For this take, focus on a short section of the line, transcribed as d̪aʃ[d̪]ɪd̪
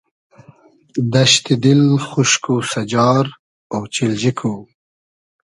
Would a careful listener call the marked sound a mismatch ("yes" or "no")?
yes